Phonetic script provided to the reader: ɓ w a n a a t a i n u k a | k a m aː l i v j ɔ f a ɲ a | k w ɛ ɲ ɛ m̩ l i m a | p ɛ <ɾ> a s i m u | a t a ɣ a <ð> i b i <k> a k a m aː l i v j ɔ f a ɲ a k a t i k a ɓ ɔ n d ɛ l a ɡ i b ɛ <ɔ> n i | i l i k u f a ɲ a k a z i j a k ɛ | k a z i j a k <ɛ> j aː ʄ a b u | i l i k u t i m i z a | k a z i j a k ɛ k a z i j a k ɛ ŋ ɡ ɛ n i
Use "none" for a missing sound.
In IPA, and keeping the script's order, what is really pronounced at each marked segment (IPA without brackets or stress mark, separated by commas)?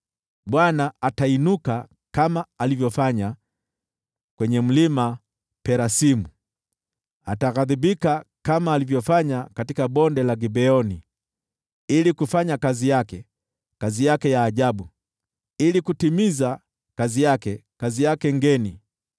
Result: ɾ, ð, k, ɔ, ɛ